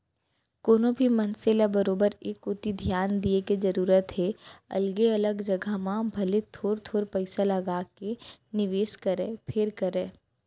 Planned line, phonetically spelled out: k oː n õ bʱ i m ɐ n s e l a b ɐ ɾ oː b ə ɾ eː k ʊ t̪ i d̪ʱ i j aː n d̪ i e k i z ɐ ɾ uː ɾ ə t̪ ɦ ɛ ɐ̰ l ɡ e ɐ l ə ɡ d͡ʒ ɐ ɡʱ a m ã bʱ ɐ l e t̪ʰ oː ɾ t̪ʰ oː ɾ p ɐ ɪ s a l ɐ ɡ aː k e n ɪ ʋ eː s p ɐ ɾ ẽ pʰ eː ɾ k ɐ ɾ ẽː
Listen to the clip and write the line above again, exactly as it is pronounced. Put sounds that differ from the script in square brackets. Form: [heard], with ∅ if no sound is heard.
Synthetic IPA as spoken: k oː n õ bʱ i m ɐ n s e l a b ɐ ɾ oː b ə ɾ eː k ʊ t̪ i d̪ʱ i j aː n d̪ i e k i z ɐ ɾ uː ɾ ə t̪ ɦ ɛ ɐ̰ l ɡ e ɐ l ə ɡ d͡ʒ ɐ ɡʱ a m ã bʱ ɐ l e t̪ʰ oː ɾ t̪ʰ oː ɾ p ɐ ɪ s a l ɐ ɡ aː k e n ɪ ʋ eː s [k] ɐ ɾ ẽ pʰ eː ɾ k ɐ ɾ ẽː